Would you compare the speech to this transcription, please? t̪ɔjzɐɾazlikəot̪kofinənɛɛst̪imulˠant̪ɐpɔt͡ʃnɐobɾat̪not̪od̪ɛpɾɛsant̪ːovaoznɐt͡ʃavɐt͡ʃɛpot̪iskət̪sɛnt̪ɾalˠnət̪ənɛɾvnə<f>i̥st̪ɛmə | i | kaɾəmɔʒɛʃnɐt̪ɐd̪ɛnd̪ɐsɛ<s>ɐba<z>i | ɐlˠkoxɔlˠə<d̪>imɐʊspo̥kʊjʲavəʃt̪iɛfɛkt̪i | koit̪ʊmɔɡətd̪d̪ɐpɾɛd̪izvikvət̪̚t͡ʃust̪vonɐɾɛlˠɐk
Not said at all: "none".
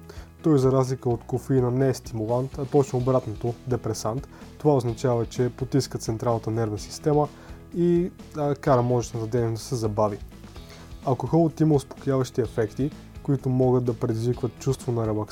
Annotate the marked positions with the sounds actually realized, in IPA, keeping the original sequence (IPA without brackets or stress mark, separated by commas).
s, z, v, t̪